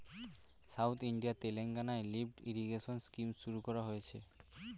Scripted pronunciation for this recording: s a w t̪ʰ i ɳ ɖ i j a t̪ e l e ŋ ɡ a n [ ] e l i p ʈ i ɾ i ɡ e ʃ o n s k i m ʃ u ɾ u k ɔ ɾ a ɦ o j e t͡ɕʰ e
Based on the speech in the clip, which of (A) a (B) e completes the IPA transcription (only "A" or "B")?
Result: A